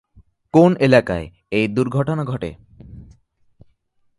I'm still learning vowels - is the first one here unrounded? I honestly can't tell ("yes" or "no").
no